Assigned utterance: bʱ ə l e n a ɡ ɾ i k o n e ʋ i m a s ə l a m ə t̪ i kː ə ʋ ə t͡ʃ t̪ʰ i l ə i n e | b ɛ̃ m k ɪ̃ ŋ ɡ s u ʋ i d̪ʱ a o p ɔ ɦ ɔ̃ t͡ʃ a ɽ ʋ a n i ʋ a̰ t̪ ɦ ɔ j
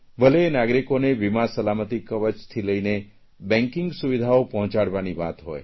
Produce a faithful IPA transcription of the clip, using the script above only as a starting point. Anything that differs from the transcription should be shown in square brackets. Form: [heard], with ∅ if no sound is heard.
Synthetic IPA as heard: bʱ ə l e n a ɡ ɾ i k o n e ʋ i m a s ə l a m ə t̪ i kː ə ʋ ə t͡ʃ t̪ʰ i l ə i n e | b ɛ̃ [ŋ] k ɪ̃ ŋ ɡ s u ʋ i d̪ʱ a o p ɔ ɦ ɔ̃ t͡ʃ a ɽ ʋ a n i ʋ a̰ t̪ ɦ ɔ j

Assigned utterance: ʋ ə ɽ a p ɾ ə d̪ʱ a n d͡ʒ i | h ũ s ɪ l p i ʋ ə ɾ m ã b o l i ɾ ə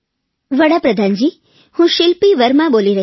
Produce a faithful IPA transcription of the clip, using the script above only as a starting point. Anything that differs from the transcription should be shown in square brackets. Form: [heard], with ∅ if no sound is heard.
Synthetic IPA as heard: ʋ ə ɽ a p ɾ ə d̪ʱ a n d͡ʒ i | h ũ [ʃ] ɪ l p i ʋ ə ɾ m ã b o l i ɾ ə

